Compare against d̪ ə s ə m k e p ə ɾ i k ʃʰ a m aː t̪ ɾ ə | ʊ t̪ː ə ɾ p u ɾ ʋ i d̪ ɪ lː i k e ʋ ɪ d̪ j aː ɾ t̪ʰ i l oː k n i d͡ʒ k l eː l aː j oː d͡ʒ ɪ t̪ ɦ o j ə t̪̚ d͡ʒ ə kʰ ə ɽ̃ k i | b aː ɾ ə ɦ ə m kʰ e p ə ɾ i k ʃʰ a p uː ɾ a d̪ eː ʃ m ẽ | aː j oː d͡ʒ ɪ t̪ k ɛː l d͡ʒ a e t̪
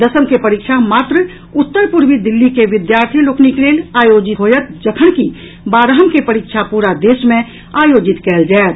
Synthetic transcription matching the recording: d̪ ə s ə m k e p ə ɾ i k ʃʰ a m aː t̪ ɾ ə | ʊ t̪ː ə ɾ p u ɾ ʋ i d̪ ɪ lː i k e ʋ ɪ d̪ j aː ɾ t̪ʰ i l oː k n i k l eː l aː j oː d͡ʒ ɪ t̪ ɦ o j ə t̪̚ d͡ʒ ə kʰ ə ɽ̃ k i | b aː ɾ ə ɦ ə m k e p ə ɾ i k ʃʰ a p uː ɾ a d̪ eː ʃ m ẽ | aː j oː d͡ʒ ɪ t̪ k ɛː l d͡ʒ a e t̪